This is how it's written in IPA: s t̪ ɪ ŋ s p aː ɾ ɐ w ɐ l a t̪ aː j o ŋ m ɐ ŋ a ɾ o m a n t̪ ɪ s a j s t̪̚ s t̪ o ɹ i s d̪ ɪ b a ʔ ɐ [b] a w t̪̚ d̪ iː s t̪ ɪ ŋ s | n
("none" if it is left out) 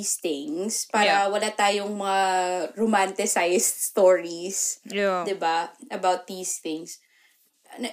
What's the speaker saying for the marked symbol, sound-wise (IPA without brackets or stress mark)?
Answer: b